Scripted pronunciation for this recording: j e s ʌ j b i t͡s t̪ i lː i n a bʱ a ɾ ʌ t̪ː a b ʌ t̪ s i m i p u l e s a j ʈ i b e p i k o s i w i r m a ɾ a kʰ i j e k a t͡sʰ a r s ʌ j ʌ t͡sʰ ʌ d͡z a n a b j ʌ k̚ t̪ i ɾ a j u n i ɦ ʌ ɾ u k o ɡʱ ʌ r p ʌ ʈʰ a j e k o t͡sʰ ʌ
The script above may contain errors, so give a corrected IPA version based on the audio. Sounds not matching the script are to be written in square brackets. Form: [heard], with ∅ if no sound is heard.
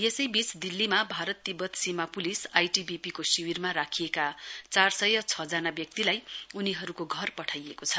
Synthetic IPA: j e s ʌ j b i t͡s [d̪] i lː i [m] a bʱ a ɾ ʌ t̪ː [i] b ʌ t̪ s i m [a] p u l [i] s a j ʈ i b [i] p i k o s i w i r m a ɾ a kʰ i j e k a [t͡s] a r s ʌ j ʌ t͡sʰ ʌ d͡z a n a b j ʌ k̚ t̪ i [l] a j u n i ɦ ʌ ɾ u k o ɡʱ ʌ r p ʌ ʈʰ a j e k o t͡sʰ ʌ